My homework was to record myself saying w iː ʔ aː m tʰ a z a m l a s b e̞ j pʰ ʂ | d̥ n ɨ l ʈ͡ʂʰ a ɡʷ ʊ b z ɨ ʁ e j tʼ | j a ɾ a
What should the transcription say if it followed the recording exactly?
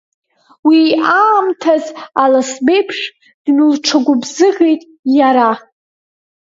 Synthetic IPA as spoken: w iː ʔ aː m tʰ a z a l a s b e̞ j pʰ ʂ | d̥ n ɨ l ʈ͡ʂʰ a ɡʷ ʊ b z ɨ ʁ e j tʼ | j a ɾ a